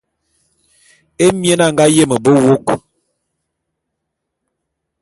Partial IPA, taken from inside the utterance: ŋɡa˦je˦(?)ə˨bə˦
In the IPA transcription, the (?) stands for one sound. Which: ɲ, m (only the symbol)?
m